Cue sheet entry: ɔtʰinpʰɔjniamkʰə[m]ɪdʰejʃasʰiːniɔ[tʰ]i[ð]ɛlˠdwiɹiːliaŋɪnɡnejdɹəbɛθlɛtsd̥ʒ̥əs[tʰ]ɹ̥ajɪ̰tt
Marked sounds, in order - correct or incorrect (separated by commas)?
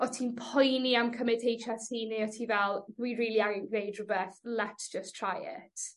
correct, correct, incorrect, correct